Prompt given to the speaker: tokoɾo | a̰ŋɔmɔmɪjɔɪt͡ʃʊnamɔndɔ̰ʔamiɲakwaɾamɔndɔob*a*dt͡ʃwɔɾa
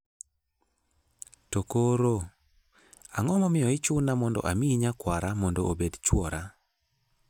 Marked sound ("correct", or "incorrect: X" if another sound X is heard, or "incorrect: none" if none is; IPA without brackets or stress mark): incorrect: e